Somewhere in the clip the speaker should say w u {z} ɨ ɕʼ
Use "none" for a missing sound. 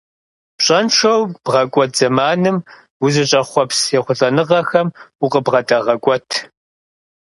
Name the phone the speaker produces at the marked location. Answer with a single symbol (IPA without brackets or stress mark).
z